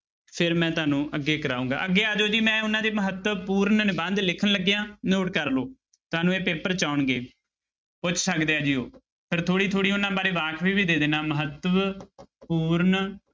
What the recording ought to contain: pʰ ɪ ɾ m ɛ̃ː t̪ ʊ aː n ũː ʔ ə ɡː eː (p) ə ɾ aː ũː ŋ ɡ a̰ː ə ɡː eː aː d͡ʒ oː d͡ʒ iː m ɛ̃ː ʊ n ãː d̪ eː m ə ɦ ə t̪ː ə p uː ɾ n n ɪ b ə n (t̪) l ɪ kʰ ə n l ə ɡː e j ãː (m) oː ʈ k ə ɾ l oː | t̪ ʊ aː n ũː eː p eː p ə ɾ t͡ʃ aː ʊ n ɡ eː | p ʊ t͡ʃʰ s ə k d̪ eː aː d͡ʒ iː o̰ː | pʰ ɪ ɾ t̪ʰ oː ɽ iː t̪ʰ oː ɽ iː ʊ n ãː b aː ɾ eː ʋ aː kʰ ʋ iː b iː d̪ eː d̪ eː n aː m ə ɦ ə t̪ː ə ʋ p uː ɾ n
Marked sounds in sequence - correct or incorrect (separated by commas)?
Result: incorrect, incorrect, incorrect